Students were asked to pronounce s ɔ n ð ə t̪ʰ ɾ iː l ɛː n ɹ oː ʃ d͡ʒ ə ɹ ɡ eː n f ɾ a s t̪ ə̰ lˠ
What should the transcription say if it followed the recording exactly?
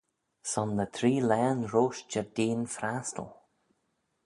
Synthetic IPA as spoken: s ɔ n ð ə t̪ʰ ɾ iː l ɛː n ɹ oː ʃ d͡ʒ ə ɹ d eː n f ɾ a s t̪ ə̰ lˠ